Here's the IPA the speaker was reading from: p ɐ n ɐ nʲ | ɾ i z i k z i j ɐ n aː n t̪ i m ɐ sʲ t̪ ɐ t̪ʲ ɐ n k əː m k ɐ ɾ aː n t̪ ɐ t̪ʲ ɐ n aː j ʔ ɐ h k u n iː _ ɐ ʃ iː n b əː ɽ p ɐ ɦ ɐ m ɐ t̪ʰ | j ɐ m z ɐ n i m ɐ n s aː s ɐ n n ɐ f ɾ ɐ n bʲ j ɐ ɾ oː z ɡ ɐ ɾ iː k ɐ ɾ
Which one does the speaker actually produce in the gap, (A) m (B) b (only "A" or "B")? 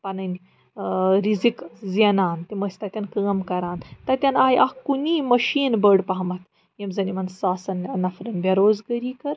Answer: A